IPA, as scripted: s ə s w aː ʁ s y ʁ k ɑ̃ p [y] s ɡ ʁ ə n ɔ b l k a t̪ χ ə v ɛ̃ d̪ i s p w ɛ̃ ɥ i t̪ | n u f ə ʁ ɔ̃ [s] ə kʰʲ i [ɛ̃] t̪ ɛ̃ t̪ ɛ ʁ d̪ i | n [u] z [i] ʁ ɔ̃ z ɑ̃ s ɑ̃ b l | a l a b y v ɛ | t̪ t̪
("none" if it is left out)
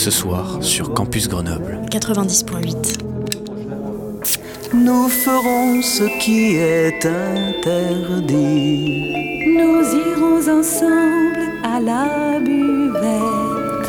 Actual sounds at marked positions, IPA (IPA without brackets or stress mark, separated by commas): y, s, ɛ, u, i